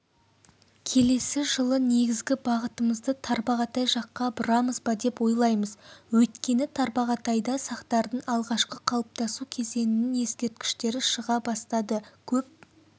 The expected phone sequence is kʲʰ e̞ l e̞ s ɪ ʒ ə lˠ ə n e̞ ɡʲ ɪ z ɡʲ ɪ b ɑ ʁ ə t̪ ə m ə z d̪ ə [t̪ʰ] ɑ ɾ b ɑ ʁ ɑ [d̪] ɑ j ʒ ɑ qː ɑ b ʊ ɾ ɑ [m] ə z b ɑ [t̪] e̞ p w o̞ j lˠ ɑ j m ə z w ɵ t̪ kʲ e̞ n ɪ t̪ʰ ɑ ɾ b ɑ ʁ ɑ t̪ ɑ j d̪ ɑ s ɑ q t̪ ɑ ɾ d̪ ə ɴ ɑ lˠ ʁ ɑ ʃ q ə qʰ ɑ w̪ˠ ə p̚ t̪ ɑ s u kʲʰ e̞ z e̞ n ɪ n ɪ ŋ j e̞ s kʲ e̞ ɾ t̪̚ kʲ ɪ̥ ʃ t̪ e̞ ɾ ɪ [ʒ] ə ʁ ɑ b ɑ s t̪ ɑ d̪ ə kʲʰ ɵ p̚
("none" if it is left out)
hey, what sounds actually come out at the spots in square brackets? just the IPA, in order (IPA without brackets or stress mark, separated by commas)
t̪ʰ, t̪, m, d̪, ʃ